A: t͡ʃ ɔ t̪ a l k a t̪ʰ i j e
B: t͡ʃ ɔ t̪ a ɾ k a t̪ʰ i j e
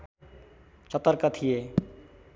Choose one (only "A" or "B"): B